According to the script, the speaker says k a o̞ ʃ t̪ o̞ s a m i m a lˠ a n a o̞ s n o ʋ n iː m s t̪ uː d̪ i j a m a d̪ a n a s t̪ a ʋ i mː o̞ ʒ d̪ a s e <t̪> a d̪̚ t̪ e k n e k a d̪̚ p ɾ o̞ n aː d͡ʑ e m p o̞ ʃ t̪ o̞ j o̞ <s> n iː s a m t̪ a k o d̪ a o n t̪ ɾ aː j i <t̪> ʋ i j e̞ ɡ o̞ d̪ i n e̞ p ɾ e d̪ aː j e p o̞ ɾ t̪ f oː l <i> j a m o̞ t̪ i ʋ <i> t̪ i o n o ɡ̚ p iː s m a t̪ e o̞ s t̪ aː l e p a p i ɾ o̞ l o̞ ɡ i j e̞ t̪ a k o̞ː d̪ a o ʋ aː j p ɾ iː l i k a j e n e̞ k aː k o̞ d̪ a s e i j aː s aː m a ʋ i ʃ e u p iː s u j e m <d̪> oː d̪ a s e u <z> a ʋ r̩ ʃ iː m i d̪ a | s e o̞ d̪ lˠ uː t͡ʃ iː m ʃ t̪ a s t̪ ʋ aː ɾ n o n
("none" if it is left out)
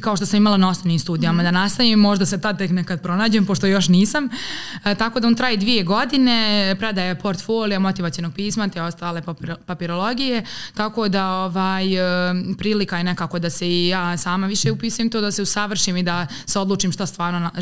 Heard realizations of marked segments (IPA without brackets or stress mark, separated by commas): t̪, ʃ, d̪, i, a, t̪, s